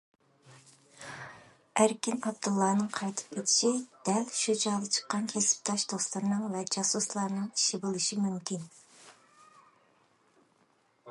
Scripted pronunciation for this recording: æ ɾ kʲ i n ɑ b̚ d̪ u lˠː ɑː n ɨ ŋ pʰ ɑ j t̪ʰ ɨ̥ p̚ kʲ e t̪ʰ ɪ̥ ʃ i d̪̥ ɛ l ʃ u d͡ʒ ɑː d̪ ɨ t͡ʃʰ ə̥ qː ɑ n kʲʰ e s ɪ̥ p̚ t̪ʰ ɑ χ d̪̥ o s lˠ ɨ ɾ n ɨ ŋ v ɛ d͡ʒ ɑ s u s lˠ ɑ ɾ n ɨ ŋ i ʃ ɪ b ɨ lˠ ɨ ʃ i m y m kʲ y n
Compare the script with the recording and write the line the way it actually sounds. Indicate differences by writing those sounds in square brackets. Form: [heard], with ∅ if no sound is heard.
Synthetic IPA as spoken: æ ɾ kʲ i n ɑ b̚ d̪ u lˠː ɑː n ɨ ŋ [qʰ] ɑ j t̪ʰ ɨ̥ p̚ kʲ e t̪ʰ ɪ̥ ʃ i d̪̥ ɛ l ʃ u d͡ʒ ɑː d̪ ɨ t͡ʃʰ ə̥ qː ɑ n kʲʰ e s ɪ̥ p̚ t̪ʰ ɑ [ʃ] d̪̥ o s lˠ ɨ ɾ n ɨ ŋ v ɛ d͡ʒ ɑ s u s lˠ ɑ ɾ n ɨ ŋ i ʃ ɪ b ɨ lˠ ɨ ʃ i m y m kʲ [i] n